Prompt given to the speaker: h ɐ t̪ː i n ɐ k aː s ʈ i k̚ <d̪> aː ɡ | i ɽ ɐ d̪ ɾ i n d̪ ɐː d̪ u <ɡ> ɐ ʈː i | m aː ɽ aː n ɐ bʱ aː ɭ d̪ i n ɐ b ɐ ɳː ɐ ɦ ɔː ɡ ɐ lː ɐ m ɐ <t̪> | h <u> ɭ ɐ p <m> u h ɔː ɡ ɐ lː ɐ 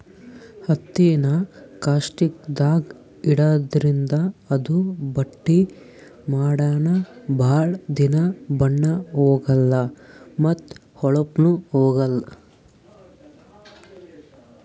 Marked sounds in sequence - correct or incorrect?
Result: correct, incorrect: b, correct, incorrect: ɔ, incorrect: n

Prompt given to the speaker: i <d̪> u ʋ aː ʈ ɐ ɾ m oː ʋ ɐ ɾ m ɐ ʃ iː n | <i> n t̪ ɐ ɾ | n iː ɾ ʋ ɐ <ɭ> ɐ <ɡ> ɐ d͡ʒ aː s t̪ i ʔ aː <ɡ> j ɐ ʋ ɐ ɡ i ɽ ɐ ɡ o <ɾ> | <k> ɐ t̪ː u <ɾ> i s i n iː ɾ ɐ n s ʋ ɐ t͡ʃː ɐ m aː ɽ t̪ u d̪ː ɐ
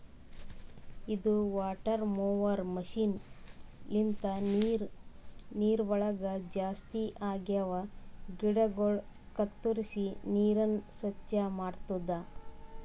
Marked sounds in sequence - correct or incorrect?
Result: correct, correct, correct, correct, correct, incorrect: ɭ, correct, correct

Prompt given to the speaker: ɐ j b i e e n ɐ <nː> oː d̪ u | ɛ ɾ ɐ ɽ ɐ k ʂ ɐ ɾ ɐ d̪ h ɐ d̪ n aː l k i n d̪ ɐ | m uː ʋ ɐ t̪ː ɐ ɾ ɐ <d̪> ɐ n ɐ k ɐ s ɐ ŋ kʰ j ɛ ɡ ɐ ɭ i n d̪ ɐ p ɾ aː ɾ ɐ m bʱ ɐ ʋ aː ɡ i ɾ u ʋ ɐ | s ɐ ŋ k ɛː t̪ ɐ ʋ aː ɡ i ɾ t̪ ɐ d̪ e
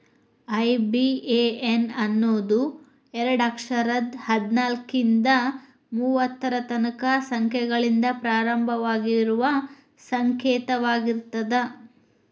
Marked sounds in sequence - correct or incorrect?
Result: correct, incorrect: t̪

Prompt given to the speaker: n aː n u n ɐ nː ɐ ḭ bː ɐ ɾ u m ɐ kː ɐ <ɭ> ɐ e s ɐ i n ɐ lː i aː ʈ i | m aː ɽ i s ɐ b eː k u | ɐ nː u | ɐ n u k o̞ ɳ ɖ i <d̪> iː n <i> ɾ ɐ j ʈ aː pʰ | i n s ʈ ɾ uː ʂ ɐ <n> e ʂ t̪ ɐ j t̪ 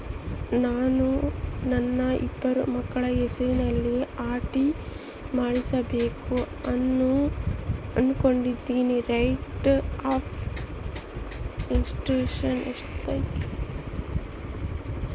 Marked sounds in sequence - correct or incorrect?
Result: correct, incorrect: d̪ː, correct, correct

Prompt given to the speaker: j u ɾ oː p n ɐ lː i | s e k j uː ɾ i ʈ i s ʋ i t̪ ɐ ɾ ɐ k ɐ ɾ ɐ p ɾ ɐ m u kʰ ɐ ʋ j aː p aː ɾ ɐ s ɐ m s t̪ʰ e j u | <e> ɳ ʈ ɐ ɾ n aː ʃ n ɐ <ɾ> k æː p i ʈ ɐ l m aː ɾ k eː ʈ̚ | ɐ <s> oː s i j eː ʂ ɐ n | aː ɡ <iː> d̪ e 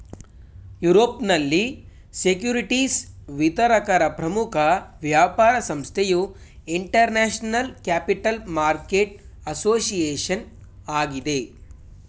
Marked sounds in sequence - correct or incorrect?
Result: incorrect: i, incorrect: l, correct, incorrect: i

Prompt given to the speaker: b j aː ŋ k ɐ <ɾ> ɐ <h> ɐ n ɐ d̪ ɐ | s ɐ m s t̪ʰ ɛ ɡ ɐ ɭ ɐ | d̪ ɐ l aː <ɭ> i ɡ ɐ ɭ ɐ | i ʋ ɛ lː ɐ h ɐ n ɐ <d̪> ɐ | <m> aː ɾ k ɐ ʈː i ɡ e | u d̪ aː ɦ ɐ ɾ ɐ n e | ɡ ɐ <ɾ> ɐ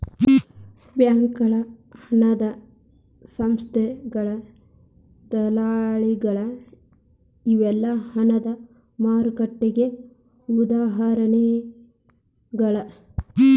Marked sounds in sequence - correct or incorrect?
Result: incorrect: ɭ, correct, correct, correct, correct, incorrect: ɭ

